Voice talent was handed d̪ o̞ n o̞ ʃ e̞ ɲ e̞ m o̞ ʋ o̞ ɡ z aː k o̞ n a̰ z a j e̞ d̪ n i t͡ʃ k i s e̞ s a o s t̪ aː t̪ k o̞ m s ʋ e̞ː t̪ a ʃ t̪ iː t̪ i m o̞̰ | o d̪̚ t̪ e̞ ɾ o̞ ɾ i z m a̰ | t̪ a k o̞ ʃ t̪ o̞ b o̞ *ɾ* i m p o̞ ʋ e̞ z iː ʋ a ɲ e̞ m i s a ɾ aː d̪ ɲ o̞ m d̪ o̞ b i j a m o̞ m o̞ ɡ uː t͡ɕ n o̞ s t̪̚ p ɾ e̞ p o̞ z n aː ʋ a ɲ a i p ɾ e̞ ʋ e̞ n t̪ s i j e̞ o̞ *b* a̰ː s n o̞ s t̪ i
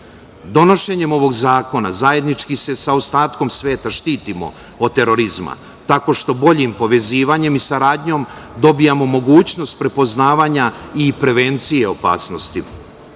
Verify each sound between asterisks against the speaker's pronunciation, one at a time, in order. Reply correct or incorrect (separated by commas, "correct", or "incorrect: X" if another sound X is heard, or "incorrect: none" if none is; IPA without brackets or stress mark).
incorrect: ʎ, incorrect: p